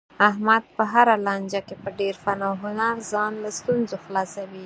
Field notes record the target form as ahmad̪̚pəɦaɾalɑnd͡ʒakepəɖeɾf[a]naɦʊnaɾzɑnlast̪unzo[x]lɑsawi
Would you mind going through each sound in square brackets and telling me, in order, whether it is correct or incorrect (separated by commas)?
correct, correct